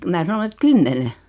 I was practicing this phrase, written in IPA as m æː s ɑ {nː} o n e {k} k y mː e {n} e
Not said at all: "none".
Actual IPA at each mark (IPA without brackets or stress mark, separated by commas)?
n, t, n